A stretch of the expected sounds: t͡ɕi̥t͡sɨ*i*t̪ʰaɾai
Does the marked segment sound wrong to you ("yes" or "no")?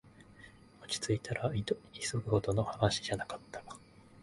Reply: no